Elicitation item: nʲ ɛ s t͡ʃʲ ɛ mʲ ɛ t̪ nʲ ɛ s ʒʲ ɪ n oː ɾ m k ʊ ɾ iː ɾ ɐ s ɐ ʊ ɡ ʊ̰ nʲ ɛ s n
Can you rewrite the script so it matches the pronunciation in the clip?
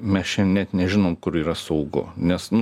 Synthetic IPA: mʲ ɛ s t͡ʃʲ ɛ nʲ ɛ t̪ nʲ ɛ ʒʲ ɪ n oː m k ʊ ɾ iː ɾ ɐ s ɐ ʊ ɡ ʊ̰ nʲ ɛ s n

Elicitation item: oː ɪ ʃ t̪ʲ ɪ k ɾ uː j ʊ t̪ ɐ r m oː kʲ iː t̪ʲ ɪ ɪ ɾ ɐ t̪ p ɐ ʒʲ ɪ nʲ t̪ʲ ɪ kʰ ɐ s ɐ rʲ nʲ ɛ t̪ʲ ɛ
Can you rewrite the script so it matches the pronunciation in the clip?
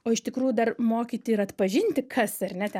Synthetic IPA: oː ɪ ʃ t̪ʲ ɪ k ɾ uː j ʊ d̪ ɐ r m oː kʲ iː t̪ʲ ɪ ɪ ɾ ɐ t̪ p ɐ ʒʲ ɪ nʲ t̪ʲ ɪ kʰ ɐ s ɐ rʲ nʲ ɛ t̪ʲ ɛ

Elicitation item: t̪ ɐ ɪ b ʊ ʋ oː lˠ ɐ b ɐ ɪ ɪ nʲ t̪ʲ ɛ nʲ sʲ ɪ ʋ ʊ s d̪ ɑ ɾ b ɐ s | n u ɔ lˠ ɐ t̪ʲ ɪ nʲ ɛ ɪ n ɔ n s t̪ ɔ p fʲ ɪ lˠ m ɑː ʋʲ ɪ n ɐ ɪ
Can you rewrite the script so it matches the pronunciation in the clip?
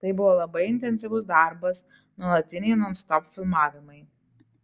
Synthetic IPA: t̪ ɐ ɪ b ʊ ʋ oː lˠ ɐ b ɐ ɪ ɪ nʲ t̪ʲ ɛ nʲ sʲ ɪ ʋ ʊ s d̪ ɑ ɾ b ɐ s | n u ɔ lˠ ɐ t̪ʲ ɪ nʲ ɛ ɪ n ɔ n s t̪ ɔ p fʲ ɪ lˠ m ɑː ʋʲ ɪ m ɐ ɪ

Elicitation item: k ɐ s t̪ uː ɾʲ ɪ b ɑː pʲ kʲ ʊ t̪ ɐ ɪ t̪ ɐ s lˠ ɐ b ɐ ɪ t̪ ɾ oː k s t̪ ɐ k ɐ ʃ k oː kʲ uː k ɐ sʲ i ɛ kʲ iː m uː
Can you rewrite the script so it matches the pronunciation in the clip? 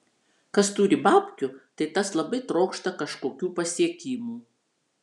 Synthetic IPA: k ɐ s t̪ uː ɾʲ ɪ b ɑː pʲ kʲ ʊ t̪ ɐ ɪ t̪ ɐ s lˠ ɐ b ɐ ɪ t̪ ɾ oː k ʃ t̪ ɐ k ɐ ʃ k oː kʲ uː p ɐ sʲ i ɛ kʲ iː m uː

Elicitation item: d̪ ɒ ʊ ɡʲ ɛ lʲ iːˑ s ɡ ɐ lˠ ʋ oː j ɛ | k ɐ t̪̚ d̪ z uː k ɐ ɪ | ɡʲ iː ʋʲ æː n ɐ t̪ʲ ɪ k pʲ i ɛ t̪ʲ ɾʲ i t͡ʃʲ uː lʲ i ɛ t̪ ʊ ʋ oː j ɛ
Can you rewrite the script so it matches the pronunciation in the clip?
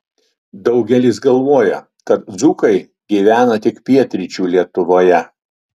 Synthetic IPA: d̪ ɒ ʊ ɡʲ ɛ lʲ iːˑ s ɡ ɐ lˠ ʋ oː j ɛ | k ɐ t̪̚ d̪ z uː k ɐ ɪ | ɡʲ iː ʋʲ æː n ɐ t̪ʲ ɪ k pʲ i ɛ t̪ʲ ɾʲ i t͡ʃʲ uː lʲ i ɛ t̪ ʊ ʋ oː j ɛ

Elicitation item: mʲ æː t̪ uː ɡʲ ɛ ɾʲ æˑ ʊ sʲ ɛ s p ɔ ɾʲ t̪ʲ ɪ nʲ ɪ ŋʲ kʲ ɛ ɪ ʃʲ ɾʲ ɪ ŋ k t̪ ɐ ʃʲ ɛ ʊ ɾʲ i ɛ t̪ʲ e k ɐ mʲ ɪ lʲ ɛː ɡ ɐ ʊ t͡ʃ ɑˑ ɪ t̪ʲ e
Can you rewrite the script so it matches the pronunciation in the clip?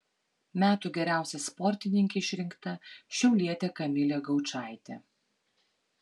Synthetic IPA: mʲ æː t̪ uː ɡʲ ɛ ɾʲ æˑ ʊ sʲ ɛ s p ɔ ɾʲ t̪ʲ ɪ nʲ ɪ ŋʲ kʲ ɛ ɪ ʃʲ ɾʲ ɪ ŋ k t̪ ɐ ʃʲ ɛ ʊ lʲ i ɛ t̪ʲ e k ɐ mʲ ɪ lʲ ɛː ɡ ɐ ʊ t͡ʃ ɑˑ ɪ t̪ʲ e

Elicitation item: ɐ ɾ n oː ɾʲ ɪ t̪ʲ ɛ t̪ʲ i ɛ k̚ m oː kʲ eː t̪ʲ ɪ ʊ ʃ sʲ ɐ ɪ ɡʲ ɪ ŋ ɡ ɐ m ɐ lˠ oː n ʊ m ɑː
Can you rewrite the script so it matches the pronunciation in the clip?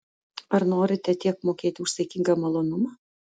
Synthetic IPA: ɐ ɾ n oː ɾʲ ɪ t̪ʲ ɛ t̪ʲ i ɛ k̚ m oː kʲ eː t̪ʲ ɪ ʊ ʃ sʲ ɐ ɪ kʲ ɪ ŋ ɡ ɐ m ɐ lˠ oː n ʊ m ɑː

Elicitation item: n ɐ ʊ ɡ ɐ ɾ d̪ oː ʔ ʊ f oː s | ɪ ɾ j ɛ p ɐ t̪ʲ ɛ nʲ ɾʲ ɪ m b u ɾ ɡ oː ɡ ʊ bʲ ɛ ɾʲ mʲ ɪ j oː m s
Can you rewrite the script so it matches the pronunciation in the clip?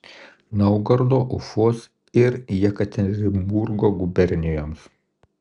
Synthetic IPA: n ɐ ʊ ɡ ɐ ɾ d̪ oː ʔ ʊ f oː s | ɪ ɾ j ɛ k ɐ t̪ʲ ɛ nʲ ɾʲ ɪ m b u ɾ ɡ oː ɡ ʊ bʲ ɛ ɾʲ nʲ ɪ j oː m s

